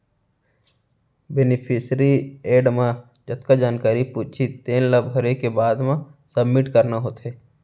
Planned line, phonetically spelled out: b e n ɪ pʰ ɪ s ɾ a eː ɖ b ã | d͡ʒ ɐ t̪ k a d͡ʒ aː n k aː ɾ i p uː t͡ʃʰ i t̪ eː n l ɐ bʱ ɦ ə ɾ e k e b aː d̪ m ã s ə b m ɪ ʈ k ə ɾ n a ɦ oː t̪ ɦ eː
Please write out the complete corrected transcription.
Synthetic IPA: b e n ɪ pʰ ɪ s ɾ i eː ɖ m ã | d͡ʒ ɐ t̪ k a d͡ʒ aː n k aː ɾ i p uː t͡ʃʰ i t̪ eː n l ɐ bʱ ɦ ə ɾ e k e b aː d̪ m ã s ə b m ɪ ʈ k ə ɾ n a ɦ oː t̪ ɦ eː